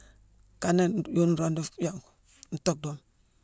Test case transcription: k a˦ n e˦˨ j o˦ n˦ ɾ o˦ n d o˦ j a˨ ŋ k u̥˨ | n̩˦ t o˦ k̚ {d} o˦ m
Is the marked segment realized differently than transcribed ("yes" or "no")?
no